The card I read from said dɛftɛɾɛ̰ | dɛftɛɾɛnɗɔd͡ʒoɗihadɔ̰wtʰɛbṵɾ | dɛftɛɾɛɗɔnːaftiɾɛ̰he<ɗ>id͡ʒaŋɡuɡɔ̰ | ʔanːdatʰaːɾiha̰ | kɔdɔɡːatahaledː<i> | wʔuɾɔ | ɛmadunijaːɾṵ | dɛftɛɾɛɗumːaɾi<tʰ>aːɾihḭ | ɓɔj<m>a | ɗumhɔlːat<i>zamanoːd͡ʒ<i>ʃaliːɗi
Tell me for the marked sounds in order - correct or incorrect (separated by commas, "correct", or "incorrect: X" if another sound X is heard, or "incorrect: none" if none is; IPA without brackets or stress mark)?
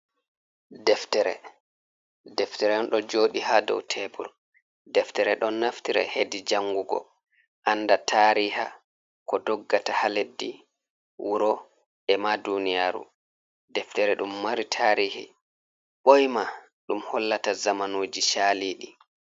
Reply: incorrect: d, correct, correct, correct, incorrect: a, correct